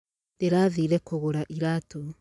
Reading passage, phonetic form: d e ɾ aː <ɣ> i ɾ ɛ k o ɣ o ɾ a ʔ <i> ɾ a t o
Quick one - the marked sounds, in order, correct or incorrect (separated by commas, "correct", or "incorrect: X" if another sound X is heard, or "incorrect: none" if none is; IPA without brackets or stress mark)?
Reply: incorrect: ð, correct